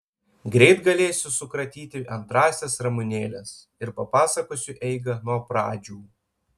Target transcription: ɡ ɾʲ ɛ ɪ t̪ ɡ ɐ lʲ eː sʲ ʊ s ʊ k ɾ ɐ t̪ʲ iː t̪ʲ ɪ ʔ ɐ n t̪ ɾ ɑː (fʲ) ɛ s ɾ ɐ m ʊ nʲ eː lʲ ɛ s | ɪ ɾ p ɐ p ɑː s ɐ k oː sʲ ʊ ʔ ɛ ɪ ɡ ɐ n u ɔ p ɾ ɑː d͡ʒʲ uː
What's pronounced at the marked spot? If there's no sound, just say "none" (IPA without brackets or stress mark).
sʲ